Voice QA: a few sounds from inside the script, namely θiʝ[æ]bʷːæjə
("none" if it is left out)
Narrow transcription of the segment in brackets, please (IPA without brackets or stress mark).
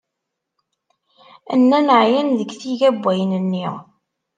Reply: æ